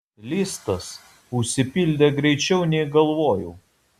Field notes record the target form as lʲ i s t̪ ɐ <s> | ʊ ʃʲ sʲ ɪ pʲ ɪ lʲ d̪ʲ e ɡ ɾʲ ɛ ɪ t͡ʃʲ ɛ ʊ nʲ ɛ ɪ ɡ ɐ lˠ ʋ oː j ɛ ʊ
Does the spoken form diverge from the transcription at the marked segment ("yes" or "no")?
no